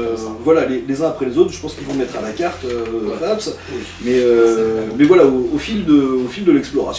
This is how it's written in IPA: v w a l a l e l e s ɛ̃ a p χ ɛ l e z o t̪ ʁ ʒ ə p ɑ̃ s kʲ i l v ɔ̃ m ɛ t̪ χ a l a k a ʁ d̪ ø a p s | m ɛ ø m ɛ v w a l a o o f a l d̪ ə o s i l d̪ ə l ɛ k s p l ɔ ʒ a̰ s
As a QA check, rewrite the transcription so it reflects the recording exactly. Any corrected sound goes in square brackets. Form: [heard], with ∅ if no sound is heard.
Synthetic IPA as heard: v w a l a l e l e [z] ɛ̃ a p χ ɛ l e z o t̪ [χ] ʒ ə p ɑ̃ s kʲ i l v ɔ̃ m ɛ t̪ χ a l a k a ʁ [t̪] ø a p s | m ɛ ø m ɛ v w a l a o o f [i] l d̪ ə o [f] i l d̪ ə l ɛ k s p l ɔ [ʁ] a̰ s